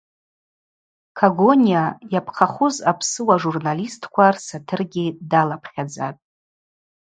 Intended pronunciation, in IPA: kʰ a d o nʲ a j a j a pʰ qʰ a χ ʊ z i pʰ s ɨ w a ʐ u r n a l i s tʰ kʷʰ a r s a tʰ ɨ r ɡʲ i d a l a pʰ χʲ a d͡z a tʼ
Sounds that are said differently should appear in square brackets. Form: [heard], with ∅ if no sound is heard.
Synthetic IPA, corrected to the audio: kʰ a [ɡ] o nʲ [i] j a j a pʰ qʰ a χ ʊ z [a] pʰ s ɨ w a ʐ u r n a l i s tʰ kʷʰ a r s a tʰ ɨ r ɡʲ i d a l a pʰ χʲ a d͡z a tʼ

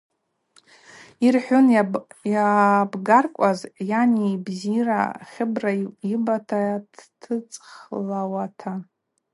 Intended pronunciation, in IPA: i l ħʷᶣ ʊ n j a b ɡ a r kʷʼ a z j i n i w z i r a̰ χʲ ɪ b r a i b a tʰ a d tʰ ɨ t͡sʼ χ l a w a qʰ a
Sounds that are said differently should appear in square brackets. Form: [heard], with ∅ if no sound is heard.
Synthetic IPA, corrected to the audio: i [r] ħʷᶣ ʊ n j a b ɡ a r kʷʼ a z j [a] n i [b] z i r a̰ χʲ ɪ b r a i b a tʰ a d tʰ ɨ t͡sʼ χ l a w a [tʰ] a

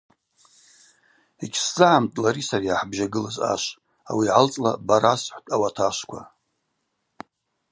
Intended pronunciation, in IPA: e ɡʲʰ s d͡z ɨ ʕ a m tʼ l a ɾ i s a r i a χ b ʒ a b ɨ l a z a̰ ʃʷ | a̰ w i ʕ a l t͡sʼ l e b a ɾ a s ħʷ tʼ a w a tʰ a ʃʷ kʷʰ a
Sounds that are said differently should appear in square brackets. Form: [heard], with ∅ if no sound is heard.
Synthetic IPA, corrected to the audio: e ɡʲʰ s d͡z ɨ ʕ a m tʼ l a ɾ i s a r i a [ħ] b ʒ a [ɡ] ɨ l a z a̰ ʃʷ | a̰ w i ʕ a l t͡sʼ l [a] b a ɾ a s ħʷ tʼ a w a tʰ a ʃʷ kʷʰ a

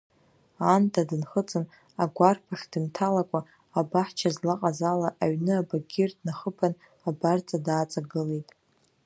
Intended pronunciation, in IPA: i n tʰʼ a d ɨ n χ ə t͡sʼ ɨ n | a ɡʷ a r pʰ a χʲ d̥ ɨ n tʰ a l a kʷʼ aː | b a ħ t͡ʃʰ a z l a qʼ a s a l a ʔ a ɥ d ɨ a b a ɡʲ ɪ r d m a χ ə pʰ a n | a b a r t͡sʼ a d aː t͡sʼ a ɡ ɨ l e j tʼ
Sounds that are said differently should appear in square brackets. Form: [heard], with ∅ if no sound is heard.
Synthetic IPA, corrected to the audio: [a] n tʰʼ a d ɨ n χ ə t͡sʼ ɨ n | a ɡʷ a r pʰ a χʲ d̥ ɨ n tʰ a l a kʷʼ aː | b a ħ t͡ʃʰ a z l a qʼ a [z] a l a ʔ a ɥ [n] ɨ a b a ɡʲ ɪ r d [n] a χ ə pʰ a n | a b a r t͡sʼ a d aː t͡sʼ a ɡ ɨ l e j tʼ

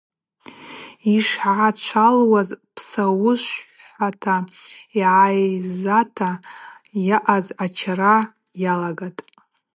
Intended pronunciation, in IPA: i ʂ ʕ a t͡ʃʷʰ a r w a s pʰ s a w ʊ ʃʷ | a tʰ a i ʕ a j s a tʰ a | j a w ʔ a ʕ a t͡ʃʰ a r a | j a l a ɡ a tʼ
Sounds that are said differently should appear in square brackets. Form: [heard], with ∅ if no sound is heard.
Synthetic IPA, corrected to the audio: i ʂ ʕ a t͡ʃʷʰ a [l] w a [z] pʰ s a w ʊ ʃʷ | a tʰ a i ʕ a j [z] a tʰ a | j a [∅] ʔ a [z] a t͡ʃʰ a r a | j a l a ɡ a tʼ

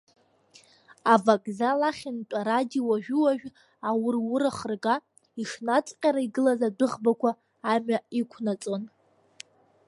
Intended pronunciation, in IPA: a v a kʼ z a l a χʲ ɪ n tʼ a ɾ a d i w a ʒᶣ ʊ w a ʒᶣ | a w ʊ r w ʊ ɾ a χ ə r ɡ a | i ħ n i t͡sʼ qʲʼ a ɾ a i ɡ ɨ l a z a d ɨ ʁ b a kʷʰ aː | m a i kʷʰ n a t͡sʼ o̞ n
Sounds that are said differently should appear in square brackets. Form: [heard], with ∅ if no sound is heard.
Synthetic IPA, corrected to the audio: a v a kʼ z a l a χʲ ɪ n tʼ a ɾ a d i w a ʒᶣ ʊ w a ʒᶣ | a w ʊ r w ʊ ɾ a χ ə r ɡ a | i [ʂ] n [a] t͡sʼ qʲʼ a ɾ a i ɡ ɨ l a z a d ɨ ʁ b a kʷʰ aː | m a i kʷʰ n a t͡sʼ o̞ n

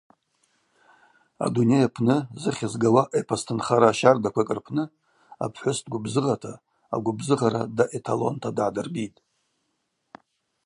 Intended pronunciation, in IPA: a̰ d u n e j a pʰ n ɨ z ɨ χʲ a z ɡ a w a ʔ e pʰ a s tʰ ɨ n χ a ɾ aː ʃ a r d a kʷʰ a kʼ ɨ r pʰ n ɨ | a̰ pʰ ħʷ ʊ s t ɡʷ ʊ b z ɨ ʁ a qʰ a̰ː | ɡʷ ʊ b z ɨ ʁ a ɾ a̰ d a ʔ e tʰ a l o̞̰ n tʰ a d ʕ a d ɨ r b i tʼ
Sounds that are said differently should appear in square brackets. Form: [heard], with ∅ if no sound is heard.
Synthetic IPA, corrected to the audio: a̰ d u n e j a pʰ n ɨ z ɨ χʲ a z ɡ a w a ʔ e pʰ a s tʰ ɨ n χ a ɾ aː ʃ a r d a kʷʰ a kʼ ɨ r pʰ n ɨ | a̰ pʰ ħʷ ʊ s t ɡʷ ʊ b z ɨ ʁ a [tʰ] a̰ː | ɡʷ ʊ b z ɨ ʁ a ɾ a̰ d a ʔ e tʰ a l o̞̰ n tʰ a d ʕ a d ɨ r b i tʼ

